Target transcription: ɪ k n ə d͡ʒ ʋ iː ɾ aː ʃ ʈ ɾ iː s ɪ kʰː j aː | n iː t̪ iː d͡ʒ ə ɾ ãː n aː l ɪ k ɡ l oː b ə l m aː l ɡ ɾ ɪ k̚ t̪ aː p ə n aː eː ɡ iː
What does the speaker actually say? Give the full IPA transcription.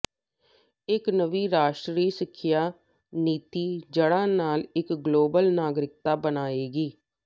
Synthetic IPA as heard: ɪ k n ə ʋ iː ɾ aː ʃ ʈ ɾ iː s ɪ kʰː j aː | n iː t̪ iː d͡ʒ ə ɽ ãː n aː l ɪ k ɡ l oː b ə l n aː ɡ ɾ ɪ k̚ t̪ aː b ə n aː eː ɡ iː